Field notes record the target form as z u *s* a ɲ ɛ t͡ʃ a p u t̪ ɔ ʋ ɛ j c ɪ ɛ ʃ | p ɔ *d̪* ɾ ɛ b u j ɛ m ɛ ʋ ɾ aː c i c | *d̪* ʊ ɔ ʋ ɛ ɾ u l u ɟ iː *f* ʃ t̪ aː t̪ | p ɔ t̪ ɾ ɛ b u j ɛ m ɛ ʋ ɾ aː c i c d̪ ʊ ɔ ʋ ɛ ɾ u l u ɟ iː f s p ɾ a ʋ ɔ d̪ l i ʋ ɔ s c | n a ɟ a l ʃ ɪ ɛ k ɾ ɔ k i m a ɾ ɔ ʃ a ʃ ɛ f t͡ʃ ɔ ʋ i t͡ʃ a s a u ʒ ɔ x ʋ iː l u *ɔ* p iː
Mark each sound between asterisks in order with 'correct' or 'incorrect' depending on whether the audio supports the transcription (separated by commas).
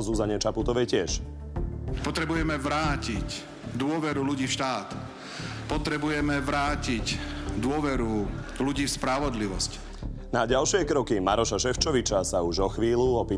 incorrect, incorrect, correct, correct, correct